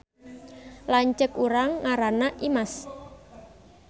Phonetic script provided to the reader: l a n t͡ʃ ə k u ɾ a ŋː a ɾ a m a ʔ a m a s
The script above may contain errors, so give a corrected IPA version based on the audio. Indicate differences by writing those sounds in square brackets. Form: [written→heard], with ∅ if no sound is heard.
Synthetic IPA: l a [n→ɲ] t͡ʃ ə k u ɾ a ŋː a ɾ a [m→n] a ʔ [a→i] m a s